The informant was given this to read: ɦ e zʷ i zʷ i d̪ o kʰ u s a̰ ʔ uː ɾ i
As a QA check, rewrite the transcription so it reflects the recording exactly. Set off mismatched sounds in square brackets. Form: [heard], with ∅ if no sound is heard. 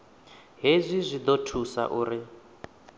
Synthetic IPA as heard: ɦ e zʷ i zʷ i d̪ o [tʰ] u s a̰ ʔ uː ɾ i